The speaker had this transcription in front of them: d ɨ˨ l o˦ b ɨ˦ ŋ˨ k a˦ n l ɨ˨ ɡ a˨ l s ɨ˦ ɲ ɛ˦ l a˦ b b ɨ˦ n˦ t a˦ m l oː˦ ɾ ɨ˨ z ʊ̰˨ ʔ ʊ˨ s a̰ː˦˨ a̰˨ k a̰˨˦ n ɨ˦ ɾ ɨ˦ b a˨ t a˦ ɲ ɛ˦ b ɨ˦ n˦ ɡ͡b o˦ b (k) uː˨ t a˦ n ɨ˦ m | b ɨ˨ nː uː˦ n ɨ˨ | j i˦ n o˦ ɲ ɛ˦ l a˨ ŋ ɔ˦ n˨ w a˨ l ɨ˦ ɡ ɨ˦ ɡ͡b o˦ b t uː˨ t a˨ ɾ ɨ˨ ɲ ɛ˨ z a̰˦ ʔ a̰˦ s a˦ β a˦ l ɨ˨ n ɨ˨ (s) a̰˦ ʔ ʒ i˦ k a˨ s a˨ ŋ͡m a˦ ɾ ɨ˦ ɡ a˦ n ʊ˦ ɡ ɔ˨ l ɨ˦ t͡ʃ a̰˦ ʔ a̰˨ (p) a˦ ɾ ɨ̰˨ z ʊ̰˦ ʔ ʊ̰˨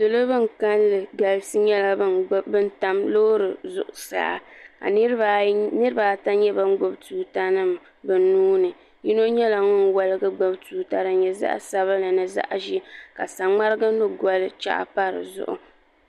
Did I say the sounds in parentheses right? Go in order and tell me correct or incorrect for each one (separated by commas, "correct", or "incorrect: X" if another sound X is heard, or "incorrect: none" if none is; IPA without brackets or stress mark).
incorrect: t, incorrect: z, correct